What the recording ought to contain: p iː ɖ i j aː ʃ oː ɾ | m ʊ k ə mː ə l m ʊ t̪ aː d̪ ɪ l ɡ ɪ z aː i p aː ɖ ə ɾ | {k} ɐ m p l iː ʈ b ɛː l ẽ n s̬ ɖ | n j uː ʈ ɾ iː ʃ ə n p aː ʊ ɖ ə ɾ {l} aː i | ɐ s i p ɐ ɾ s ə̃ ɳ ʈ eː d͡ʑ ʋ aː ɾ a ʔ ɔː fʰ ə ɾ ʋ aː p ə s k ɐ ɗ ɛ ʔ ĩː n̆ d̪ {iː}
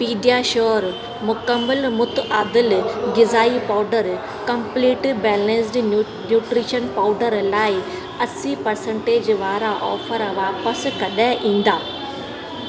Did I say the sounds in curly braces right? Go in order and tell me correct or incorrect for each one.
correct, correct, incorrect

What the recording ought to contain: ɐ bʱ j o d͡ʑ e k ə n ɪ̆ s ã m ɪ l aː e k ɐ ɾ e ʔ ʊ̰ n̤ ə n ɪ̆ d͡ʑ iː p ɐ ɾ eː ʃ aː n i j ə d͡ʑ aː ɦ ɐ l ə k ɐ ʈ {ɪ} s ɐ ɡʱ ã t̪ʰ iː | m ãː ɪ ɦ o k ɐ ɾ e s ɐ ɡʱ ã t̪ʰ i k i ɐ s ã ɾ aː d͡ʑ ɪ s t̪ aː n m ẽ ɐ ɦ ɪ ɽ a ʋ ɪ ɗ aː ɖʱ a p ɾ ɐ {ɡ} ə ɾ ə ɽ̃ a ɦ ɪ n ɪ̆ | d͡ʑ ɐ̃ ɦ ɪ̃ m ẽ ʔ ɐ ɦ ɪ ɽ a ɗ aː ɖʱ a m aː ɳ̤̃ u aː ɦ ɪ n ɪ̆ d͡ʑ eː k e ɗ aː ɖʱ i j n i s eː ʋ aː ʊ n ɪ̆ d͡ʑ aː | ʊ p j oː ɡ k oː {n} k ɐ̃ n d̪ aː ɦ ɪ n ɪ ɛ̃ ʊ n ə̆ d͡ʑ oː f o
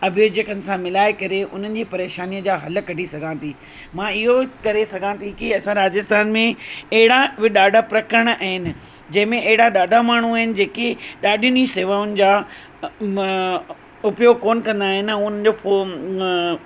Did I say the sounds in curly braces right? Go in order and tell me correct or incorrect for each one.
incorrect, incorrect, correct

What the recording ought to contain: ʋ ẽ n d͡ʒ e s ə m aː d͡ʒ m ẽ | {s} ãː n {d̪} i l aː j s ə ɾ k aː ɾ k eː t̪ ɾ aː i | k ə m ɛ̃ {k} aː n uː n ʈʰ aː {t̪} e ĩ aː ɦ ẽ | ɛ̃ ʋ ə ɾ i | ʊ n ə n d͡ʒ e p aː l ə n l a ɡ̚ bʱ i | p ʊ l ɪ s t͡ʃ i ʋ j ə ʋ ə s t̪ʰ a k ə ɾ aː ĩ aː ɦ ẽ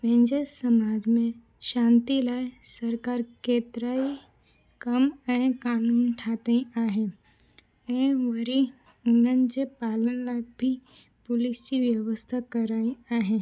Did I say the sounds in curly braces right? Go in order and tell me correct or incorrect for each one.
incorrect, incorrect, correct, correct

